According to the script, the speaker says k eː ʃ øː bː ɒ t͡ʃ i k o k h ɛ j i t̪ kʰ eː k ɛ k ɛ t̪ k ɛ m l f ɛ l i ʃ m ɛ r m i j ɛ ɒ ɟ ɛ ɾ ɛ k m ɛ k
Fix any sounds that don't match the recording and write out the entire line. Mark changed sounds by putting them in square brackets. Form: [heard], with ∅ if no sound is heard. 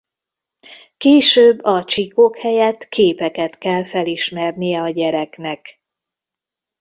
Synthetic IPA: k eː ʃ øː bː ɒ t͡ʃ i k o k h ɛ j [ɛ] t̪ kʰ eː [p] ɛ k ɛ t̪ k ɛ [∅] l f ɛ l i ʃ m ɛ r [n] i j ɛ ɒ ɟ ɛ ɾ ɛ k [n] ɛ k